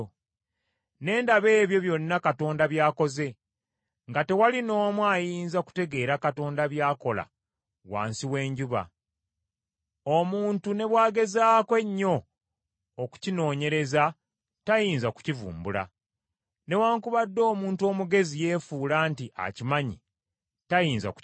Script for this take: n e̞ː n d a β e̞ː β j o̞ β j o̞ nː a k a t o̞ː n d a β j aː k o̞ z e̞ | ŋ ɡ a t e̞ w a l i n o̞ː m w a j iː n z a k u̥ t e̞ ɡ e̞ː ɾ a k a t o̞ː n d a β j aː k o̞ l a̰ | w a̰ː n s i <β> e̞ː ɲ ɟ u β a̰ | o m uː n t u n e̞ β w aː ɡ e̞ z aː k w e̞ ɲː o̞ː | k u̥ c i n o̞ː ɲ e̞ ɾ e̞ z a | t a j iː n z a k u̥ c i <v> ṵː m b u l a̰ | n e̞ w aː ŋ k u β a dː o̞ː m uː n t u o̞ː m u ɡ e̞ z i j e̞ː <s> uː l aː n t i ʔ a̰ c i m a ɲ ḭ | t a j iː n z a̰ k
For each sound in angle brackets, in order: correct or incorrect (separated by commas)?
incorrect, correct, incorrect